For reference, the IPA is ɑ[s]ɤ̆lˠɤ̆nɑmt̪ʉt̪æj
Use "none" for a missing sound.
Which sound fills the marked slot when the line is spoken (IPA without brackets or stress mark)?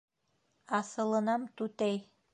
s